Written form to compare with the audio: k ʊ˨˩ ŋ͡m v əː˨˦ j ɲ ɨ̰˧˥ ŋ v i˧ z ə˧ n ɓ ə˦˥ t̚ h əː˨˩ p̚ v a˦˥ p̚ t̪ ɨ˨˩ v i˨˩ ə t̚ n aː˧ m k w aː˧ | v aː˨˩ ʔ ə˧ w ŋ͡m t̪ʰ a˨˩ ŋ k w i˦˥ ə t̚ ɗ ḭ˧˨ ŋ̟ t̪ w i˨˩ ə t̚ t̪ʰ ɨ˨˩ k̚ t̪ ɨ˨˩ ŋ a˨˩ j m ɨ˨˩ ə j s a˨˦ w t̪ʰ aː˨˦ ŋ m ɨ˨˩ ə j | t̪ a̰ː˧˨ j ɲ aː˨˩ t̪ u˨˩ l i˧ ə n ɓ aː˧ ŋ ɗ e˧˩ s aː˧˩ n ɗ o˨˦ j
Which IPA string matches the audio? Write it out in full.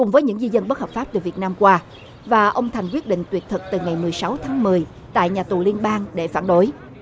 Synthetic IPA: k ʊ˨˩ ŋ͡m v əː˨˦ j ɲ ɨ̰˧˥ ŋ z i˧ z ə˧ n ɓ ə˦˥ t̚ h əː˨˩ p̚ f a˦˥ p̚ t̪ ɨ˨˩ v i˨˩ ə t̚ n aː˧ m k w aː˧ | v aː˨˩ ʔ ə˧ w ŋ͡m t̪ʰ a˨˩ ŋ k w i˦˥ ə t̚ ɗ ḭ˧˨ ŋ̟ t̪ w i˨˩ ə t̚ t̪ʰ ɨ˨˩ k̚ t̪ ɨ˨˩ ŋ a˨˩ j m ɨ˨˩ ə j s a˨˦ w t̪ʰ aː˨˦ ŋ m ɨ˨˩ ə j | t̪ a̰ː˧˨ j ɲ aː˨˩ t̪ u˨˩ l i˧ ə n ɓ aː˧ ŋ ɗ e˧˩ f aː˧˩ n ɗ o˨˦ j

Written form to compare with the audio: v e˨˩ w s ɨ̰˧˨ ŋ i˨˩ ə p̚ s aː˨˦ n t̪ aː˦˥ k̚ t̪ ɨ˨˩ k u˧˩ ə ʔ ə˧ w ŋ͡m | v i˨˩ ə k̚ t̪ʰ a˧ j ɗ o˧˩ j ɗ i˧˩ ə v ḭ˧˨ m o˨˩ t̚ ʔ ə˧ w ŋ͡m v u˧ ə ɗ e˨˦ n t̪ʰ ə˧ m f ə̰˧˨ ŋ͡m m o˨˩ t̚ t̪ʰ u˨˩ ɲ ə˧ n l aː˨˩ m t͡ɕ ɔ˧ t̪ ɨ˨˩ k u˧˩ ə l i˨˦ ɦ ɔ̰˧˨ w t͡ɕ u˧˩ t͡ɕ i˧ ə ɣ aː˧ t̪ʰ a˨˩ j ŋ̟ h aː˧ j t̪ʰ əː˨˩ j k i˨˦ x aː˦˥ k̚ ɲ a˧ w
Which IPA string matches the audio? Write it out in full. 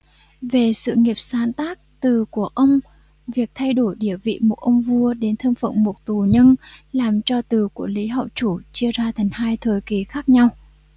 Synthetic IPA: v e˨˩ s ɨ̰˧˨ ŋ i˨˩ ə p̚ s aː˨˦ n t̪ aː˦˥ k̚ t̪ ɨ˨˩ k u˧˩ ə ʔ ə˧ w ŋ͡m | v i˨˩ ə k̚ t̪ʰ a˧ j ɗ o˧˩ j ɗ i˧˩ ə v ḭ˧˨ m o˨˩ t̚ ʔ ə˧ w ŋ͡m v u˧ ə ɗ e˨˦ n t̪ʰ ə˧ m f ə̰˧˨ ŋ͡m m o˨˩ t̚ t̪ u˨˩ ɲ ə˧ n l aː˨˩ m t͡ɕ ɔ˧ t̪ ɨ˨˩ k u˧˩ ə l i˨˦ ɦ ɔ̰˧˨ w t͡ɕ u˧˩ t͡ɕ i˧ ə z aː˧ t̪ʰ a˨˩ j ŋ̟ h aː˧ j t̪ʰ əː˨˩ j k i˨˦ x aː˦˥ k̚ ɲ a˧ w

